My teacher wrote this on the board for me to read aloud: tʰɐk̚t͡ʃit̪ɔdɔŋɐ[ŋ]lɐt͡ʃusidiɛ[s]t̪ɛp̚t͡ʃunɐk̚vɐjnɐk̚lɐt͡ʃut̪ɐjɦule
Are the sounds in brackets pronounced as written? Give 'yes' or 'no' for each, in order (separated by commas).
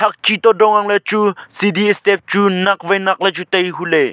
yes, yes